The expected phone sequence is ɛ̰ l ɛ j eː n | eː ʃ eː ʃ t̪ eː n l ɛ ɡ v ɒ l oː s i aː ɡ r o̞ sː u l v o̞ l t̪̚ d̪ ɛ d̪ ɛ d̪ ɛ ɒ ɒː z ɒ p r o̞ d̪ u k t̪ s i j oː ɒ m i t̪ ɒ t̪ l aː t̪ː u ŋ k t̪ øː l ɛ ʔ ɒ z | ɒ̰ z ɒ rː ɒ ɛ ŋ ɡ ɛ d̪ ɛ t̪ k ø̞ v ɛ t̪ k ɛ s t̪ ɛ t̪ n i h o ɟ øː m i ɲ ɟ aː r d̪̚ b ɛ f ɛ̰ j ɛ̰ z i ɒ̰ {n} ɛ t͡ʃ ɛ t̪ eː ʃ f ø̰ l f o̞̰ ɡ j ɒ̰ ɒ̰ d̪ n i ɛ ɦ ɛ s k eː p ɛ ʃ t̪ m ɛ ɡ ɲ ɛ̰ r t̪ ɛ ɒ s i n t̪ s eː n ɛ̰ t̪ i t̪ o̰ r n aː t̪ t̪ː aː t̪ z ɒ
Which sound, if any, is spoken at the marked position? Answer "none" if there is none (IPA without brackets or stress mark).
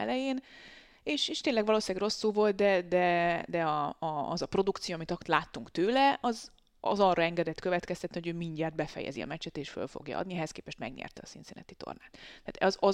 m